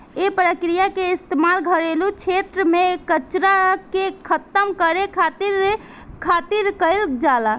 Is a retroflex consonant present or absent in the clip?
absent